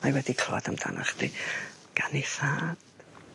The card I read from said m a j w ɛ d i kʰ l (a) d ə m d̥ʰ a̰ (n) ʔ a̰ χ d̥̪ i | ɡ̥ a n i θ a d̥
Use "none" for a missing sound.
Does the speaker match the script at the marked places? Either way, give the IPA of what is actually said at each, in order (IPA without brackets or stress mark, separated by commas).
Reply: a, n